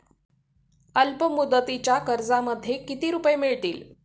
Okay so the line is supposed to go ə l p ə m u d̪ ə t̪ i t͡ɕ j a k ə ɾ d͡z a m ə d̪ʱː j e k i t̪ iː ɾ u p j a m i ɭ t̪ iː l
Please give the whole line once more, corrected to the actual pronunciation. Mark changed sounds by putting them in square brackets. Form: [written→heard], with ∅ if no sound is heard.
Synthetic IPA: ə l p ə m u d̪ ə t̪ i t͡ɕ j a k ə ɾ d͡z a m ə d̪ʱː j e k i t̪ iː ɾ u p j [a→e] m i ɭ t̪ iː l